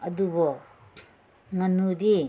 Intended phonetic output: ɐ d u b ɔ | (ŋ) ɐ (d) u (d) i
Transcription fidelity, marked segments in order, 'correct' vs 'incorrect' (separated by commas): correct, incorrect, correct